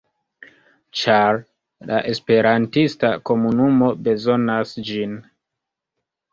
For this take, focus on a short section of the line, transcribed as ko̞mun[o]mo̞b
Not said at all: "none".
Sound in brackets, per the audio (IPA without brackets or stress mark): u